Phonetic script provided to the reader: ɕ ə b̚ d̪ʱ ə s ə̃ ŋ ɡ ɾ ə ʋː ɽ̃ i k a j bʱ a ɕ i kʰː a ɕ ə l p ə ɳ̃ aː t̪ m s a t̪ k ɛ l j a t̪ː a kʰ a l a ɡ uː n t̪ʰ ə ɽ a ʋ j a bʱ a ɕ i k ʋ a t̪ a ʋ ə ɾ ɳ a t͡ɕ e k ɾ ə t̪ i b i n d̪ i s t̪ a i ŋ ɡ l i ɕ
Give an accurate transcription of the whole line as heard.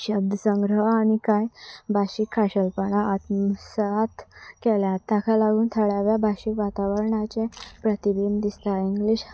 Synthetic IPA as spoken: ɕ ə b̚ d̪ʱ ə s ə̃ ŋ ɡ ɾ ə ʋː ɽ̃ i k a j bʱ a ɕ i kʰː a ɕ ə l p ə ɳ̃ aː t̪ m s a t̪ k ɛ l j a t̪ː a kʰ a l a ɡ uː n t̪ʰ ə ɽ a ʋ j a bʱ a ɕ i k ʋ a t̪ a ʋ ə ɾ ɳ a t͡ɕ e p ɾ ə t̪ i b i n d̪ i s t̪ a i ŋ ɡ l i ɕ

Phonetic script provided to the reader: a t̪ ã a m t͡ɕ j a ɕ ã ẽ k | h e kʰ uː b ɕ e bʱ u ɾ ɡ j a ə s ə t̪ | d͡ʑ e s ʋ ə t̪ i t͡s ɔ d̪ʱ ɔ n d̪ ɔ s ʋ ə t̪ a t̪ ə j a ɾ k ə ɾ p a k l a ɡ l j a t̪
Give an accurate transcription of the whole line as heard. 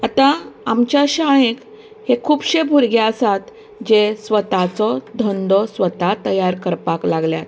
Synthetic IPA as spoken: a t̪ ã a m t͡ɕ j a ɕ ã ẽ k | h e kʰ uː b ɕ e bʱ u ɾ ɡ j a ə s a t̪ | d͡ʑ e s ʋ ə t̪ a t͡s ɔ d̪ʱ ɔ n d̪ ɔ s ʋ ə t̪ a t̪ ə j a ɾ k ə ɾ p a k l a ɡ l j a t̪

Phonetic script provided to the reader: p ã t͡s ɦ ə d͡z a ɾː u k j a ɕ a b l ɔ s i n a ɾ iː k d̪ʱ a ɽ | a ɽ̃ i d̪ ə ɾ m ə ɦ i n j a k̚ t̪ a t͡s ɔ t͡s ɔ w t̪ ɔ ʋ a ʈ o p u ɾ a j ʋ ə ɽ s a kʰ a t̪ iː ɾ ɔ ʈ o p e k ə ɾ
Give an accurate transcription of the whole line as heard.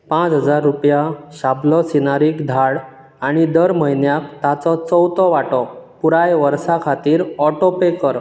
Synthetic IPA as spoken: p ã t͡s ɦ ə d͡z a ɾː u p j a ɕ a b l ɔ s i n a ɾ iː k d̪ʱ a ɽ | a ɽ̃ i d̪ ə ɾ m ə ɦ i n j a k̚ t̪ a t͡s ɔ t͡s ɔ w t̪ ɔ ʋ a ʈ ɔ p u ɾ a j ʋ ə ɾ s a kʰ a t̪ iː ɾ ɔ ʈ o p e k ə ɾ

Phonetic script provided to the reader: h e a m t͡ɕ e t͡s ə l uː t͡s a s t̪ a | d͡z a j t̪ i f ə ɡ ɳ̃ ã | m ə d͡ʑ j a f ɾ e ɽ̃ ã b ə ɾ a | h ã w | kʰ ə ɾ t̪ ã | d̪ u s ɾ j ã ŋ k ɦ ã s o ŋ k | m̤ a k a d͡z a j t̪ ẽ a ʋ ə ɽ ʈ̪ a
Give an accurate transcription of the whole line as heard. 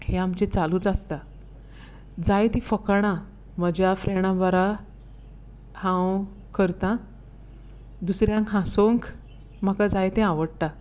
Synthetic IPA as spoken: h e a m t͡ɕ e t͡s a l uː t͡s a s t̪ a | d͡z a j t̪ i f ə k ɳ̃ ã | m ə d͡ʑ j a f ɾ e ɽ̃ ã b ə ɾ a | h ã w | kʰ ə ɾ t̪ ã | d̪ u s ɾ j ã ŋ k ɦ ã s o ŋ k | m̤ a k a d͡z a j t̪ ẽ a ʋ ə ɽ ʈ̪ a

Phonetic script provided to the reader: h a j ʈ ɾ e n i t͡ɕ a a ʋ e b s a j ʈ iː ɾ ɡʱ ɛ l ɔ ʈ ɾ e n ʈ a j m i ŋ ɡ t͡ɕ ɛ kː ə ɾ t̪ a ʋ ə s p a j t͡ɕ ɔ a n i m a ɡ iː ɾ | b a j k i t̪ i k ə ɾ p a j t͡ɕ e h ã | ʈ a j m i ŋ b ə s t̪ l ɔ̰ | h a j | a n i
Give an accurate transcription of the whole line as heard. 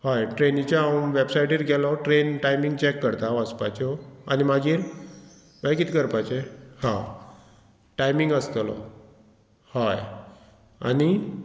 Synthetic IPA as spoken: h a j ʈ ɾ e n i t͡ɕ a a ʋ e b s a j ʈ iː ɾ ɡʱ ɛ l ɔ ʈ ɾ e n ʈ a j m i ŋ ɡ t͡ɕ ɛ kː ə ɾ t̪ a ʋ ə s p a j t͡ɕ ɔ a n i m a ɡ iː ɾ | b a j k i t̪ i k ə ɾ p a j t͡ɕ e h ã | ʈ a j m i ŋ ɡ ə s t̪ l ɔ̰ | h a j | a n i

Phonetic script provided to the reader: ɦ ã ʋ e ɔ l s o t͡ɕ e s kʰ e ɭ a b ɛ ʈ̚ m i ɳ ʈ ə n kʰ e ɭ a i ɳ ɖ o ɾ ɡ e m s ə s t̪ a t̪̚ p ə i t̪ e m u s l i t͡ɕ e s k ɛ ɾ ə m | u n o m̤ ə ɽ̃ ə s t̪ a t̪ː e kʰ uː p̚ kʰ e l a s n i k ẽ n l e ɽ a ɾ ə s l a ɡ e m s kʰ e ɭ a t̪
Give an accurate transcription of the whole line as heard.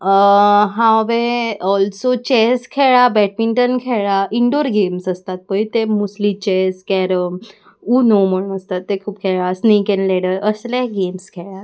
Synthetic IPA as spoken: ɦ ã ʋ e ɔ l s o t͡ɕ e s kʰ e ɭ a b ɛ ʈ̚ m i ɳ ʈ ə n kʰ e ɭ a i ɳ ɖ o ɾ ɡ e m s ə s t̪ a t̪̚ p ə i t̪ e m u s l i t͡ɕ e s k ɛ ɾ ə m | u n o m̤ ə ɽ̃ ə s t̪ a t̪ː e kʰ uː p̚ kʰ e ɭ a s n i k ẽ n l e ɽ ə ɾ ə s l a ɡ e m s kʰ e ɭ a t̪

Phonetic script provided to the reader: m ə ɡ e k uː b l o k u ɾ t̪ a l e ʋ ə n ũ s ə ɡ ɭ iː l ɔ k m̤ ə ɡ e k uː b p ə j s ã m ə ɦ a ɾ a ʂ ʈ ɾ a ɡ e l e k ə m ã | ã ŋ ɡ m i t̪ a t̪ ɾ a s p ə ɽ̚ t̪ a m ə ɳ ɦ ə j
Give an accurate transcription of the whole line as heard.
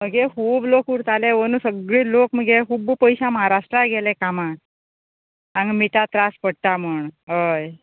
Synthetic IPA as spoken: m ə ɡ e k uː b l o k u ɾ t̪ a l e ʋ ə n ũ s ə ɡ ɭ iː l o k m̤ ə ɡ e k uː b p ə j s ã m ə ɦ a ɾ a ʂ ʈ ɾ a ɡ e l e k a m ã | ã ŋ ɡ m i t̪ a t̪ ɾ a s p ə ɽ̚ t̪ a m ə ɳ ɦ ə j

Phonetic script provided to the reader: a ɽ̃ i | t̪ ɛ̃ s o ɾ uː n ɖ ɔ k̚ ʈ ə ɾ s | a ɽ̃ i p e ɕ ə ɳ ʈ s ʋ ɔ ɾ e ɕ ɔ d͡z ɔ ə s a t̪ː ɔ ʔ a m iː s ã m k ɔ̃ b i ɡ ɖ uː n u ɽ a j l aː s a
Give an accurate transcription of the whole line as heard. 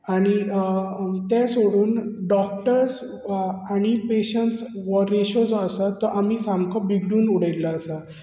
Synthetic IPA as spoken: a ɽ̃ i | t̪ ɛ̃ s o ɽ uː n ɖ ɔ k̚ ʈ ə ɾ s | a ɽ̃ i p e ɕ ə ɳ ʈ s ʋ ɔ ɾ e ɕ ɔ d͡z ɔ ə s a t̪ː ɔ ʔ a m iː s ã m k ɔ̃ b i ɡ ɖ uː n u ɽ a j l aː s a

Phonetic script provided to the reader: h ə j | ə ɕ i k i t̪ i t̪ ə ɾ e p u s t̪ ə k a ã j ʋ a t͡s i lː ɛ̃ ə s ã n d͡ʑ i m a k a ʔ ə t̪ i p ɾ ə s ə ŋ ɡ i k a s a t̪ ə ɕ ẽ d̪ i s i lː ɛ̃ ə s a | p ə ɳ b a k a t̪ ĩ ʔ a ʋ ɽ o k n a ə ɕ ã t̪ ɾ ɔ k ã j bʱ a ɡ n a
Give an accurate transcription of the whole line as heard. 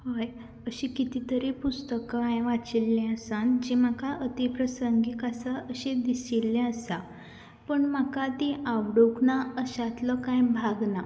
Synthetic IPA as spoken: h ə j | ə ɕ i k i t̪ i t̪ ə ɾ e p u s t̪ ə k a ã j ʋ a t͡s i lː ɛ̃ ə s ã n d͡ʑ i m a k a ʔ ə t̪ i p ɾ ə s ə ŋ ɡ i k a s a ə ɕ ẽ d̪ i s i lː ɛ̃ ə s a | p ə ɳ m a k a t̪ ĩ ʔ a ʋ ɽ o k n a ə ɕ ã t̪ l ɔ k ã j bʱ a ɡ n a

